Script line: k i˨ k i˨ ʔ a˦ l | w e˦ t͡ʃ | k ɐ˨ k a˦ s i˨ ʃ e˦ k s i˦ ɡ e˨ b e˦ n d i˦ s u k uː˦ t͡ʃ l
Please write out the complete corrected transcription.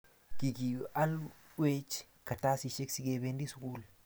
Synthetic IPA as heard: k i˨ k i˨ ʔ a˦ l | w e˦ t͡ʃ | k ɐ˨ t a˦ s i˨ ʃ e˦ k s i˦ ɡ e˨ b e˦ n d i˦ s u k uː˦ l